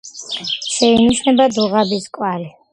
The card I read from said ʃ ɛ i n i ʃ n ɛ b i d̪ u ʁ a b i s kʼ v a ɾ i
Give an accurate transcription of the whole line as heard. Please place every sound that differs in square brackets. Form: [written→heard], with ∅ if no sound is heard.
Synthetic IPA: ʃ ɛ i n i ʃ n ɛ b [i→a] d̪ u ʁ a b i s kʼ [v→w] a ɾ i